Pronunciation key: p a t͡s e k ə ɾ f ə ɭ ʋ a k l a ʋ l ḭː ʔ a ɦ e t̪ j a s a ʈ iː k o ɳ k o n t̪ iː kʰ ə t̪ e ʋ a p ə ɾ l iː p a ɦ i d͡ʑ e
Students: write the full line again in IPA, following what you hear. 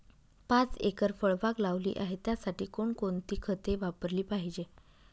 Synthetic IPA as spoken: p a t͡s e k ə ɾ f ə ɭ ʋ a k l a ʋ l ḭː ʔ a ɦ e t̪ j a s a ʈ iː k o ɳ k o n t̪ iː kʰ ə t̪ e ʋ a p ə ɾ l iː p a ɦ i d͡ʑ e